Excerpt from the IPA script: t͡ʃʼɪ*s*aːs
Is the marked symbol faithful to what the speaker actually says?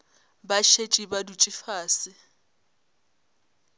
no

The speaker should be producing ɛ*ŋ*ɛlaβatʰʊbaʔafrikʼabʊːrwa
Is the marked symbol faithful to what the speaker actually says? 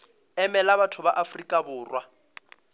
no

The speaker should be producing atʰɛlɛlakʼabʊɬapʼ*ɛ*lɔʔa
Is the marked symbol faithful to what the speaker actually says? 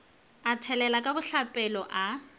yes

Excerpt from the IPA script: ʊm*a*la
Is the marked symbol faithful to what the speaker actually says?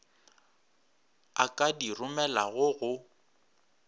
no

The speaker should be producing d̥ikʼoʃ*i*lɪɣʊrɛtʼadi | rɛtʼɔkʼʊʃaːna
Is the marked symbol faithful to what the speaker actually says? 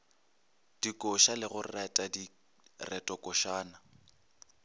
no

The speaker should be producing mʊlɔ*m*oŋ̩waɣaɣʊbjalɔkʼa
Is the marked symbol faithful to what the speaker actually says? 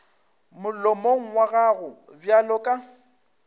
yes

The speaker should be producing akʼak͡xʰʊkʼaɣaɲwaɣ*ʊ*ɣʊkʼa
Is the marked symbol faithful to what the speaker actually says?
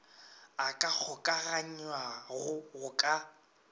yes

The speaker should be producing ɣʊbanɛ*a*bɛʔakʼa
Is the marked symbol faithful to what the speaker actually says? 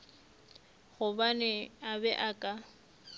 yes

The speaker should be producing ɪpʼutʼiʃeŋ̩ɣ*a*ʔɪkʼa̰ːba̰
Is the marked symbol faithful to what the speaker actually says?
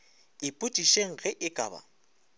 no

